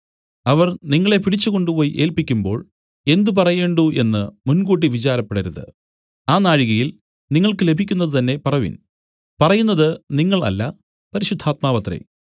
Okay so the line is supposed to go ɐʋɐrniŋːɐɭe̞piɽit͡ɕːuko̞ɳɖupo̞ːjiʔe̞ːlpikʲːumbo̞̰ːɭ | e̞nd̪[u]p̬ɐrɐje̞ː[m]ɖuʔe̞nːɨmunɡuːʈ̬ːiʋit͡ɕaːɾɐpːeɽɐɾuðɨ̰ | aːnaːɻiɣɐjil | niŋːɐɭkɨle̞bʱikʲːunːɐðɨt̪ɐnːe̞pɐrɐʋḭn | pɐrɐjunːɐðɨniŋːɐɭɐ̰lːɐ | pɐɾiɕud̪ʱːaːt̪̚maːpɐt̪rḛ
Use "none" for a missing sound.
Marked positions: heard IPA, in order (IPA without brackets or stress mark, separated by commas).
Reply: u, ɳ